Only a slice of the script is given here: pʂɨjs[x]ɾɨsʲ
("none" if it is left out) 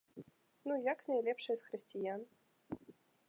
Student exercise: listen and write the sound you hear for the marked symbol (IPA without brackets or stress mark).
x